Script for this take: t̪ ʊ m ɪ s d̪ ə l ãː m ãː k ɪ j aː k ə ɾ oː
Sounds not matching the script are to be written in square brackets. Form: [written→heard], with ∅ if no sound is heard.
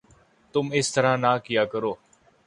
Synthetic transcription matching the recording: t̪ ʊ m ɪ s [d̪→t̪] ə [l→ɾ] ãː [m→n] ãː k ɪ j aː k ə ɾ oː